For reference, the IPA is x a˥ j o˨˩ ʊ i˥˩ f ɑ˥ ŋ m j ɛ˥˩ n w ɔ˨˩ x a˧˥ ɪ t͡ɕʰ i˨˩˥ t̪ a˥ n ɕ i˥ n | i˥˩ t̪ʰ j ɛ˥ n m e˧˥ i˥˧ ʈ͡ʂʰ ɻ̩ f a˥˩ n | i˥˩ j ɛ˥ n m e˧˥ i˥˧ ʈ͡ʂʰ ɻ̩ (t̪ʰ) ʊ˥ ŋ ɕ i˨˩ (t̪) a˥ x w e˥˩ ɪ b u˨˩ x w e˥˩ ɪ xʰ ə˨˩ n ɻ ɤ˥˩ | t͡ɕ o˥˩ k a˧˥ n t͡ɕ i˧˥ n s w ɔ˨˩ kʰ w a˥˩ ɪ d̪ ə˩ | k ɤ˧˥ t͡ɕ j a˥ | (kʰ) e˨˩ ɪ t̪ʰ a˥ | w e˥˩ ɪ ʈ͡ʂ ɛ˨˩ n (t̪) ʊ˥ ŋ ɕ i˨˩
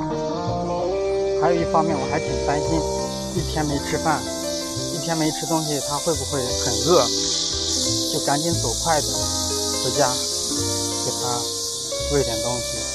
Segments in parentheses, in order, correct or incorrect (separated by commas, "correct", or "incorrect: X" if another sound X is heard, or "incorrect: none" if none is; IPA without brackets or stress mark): incorrect: t̪, incorrect: t̪ʰ, incorrect: k, correct